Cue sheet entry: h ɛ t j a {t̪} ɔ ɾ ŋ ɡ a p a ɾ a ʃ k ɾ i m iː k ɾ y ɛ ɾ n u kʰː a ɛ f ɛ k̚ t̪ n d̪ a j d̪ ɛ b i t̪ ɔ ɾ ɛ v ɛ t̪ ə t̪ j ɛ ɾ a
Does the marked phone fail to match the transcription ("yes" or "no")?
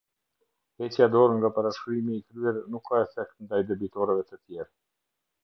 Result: yes